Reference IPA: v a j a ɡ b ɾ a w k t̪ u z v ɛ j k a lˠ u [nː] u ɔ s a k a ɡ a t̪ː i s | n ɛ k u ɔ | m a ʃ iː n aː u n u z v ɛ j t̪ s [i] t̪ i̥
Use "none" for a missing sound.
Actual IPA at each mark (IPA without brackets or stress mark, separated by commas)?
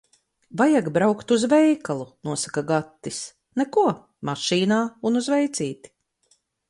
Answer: n, iː